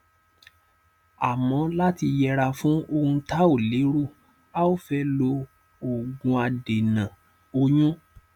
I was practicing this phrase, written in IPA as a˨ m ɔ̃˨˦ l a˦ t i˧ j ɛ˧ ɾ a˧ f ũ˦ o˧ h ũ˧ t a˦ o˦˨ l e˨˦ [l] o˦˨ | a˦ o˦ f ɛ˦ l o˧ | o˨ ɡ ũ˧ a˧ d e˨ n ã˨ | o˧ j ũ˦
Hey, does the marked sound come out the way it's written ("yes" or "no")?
no